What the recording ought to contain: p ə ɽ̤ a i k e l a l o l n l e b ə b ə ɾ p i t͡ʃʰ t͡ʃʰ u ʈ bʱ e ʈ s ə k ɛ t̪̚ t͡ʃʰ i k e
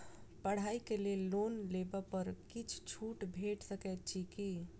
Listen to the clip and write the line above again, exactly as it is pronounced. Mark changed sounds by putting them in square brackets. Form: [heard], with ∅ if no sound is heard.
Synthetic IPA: p ə ɽ̤ a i k e l [e] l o [∅] n l e b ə [p] ə ɾ [k] i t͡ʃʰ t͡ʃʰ u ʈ bʱ e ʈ s ə k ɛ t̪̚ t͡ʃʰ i k [i]